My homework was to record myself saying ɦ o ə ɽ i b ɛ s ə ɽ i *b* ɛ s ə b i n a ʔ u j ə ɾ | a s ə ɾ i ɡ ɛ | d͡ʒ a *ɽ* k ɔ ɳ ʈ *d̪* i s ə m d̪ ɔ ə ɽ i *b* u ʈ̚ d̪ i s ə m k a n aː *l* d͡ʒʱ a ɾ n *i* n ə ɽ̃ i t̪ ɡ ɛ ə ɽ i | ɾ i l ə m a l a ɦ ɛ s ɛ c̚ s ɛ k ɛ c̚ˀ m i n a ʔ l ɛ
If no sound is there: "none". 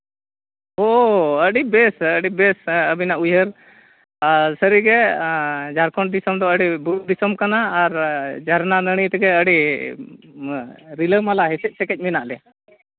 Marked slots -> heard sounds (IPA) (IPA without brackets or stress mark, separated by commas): b, ɾ, d̪, b, ɾ, a